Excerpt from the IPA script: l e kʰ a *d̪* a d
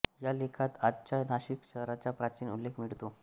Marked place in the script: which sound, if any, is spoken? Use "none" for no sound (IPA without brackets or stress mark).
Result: t̪